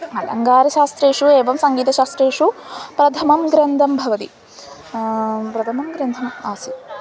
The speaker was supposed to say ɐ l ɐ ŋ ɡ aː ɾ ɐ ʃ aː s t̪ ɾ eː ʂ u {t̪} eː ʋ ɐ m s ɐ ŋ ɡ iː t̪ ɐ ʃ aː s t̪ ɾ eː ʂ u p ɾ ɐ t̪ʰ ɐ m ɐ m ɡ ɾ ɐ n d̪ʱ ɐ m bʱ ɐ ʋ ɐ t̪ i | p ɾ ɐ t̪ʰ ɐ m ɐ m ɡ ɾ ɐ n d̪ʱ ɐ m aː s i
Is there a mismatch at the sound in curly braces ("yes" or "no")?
yes